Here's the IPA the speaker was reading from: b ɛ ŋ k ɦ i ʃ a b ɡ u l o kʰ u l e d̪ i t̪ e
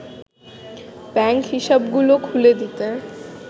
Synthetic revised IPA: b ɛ ŋ k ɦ i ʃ a b ɡ u l o kʰ u l e d̪ i t̪ e